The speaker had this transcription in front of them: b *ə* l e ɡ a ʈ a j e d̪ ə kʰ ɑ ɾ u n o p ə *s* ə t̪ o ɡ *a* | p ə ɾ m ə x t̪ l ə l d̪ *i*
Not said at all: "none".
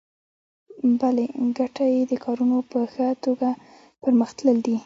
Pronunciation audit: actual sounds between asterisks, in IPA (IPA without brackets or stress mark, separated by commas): a, x, a, i